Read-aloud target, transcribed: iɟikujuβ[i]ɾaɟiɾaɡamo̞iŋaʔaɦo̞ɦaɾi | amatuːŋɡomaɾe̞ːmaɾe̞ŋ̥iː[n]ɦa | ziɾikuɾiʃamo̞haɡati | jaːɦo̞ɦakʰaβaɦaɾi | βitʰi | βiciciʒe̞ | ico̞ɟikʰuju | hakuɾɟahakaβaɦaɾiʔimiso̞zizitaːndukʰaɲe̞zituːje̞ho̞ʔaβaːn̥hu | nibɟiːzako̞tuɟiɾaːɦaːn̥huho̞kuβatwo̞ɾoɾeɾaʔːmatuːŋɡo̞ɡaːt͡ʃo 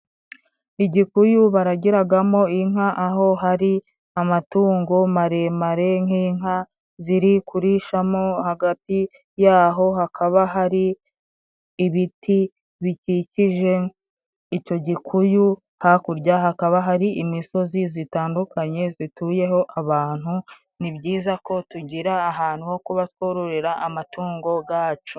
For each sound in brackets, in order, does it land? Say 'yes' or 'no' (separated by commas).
no, no